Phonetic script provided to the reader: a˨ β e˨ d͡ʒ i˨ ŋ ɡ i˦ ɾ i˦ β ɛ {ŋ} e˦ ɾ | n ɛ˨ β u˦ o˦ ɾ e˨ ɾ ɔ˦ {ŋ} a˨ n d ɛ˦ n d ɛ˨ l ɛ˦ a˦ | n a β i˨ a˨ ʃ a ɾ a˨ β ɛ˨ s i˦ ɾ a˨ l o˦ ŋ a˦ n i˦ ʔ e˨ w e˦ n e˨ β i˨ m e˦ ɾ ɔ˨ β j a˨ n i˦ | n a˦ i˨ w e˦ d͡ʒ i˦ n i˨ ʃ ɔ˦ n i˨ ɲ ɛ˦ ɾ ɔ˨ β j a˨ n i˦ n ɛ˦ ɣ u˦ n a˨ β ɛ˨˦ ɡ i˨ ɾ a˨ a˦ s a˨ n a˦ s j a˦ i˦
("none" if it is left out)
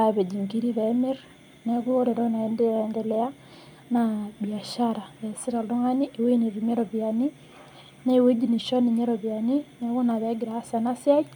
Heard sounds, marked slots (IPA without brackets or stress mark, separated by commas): m, n